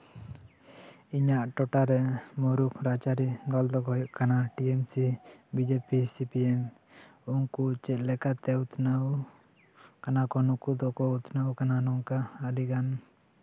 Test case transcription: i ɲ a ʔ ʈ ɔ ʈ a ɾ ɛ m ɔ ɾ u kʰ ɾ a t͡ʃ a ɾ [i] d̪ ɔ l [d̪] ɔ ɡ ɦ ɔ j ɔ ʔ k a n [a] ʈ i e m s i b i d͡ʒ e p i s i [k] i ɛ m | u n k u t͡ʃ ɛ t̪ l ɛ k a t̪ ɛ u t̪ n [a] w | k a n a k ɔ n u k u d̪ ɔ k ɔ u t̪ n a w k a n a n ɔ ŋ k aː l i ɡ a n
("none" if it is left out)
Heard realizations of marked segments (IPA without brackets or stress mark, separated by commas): i, d̪, a, p, a